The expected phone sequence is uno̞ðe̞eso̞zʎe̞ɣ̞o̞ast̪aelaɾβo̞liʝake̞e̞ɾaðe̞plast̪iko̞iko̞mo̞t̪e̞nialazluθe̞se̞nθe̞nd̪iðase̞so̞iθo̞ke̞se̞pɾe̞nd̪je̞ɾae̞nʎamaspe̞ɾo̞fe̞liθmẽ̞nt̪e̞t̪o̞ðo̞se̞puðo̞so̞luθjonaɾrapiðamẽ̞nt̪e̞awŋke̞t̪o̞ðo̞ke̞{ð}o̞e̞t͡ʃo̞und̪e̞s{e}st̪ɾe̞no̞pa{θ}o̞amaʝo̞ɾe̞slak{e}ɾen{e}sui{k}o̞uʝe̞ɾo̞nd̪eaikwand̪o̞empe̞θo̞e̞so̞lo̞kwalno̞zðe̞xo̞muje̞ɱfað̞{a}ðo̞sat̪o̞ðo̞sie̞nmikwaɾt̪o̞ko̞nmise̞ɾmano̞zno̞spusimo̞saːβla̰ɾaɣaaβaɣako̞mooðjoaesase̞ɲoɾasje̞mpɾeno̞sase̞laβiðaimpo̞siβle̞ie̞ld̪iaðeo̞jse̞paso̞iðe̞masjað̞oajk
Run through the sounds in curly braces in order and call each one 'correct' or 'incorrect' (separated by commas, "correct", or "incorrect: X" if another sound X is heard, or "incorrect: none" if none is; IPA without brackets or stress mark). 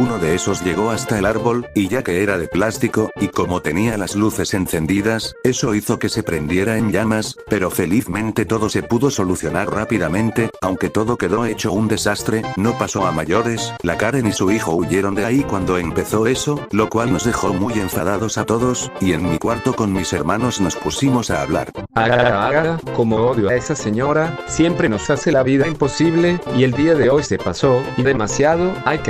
correct, incorrect: a, incorrect: s, incorrect: a, incorrect: i, incorrect: x, correct